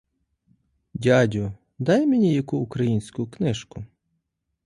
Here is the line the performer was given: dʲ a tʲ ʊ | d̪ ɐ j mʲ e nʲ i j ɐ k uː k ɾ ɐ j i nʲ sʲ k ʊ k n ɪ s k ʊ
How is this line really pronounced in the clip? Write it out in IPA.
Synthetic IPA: dʲ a dʲ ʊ | d̪ ɑ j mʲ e nʲ i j ɐ k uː k ɾ ɐ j i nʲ sʲ k ʊ k n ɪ ʃ k ʊ

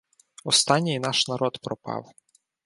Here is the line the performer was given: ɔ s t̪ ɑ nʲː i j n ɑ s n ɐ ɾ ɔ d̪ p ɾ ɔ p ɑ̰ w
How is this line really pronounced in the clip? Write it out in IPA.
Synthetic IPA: ɔ s t̪ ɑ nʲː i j n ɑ ʃ n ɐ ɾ ɔ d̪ p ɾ ɔ p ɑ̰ w

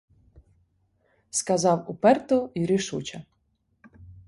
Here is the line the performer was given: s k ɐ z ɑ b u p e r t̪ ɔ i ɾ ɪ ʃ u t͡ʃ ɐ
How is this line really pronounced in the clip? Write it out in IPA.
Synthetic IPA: s k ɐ z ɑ w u p ɛ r t̪ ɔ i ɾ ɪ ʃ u t͡ʃ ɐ

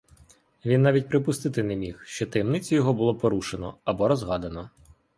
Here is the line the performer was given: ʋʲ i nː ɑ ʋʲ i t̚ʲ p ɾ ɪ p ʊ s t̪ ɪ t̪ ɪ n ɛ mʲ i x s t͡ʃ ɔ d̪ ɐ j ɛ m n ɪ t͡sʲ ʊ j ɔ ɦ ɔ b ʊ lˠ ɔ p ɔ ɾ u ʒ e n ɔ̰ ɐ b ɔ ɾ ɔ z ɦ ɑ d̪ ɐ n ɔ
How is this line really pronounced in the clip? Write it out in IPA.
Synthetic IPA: ʋʲ i nː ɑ ʋʲ i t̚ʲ p ɾ ɪ p ʊ s t̪ ɪ t̪ ɪ n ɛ mʲ i x ʃ t͡ʃ ɔ t̪ ɐ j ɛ m n ɪ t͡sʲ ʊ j ɔ ɦ ɔ b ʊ lˠ ɔ p ɔ ɾ u ʃ e n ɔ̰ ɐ b ɔ ɾ ɔ z ɦ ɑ d̪ ɐ n ɔ

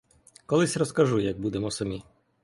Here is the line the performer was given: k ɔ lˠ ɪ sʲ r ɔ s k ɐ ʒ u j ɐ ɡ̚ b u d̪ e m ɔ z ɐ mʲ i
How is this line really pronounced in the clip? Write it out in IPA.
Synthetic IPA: k ɔ lˠ ɪ sʲ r ɔ s k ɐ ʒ u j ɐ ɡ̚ b u d̪ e m ɔ s ɐ mʲ i

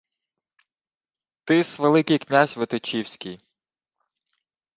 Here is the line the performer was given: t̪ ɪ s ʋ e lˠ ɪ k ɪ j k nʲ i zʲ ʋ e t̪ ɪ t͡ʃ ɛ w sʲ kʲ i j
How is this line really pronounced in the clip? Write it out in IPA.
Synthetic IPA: t̪ ɪ s ʋ e lˠ ɪ k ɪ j k nʲ a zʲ ʋ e t̪ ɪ t͡ʃ i w sʲ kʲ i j

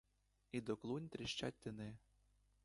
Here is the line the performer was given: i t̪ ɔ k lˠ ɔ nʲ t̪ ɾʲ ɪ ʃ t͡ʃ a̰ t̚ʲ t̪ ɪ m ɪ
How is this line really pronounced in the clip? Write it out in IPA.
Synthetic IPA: i d̪ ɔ k lˠ u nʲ t̪ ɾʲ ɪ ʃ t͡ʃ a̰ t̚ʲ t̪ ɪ n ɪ

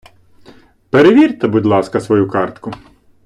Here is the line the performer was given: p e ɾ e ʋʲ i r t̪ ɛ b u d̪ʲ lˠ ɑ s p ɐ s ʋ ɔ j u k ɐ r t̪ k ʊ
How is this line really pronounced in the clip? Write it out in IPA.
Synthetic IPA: p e ɾ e ʋʲ i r t̪ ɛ b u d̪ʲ lˠ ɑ s k ɐ s ʋ ɔ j u k ɑ r t̪ k ʊ

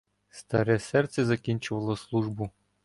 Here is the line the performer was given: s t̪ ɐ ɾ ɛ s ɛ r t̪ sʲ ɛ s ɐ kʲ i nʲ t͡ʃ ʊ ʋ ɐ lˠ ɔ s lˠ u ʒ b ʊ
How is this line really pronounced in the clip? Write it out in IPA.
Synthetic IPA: s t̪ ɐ ɾ ɛ s ɛ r t̪ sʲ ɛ z ɐ kʲ i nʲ t͡ʃ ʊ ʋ ɐ lˠ ɔ s lˠ u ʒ b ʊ

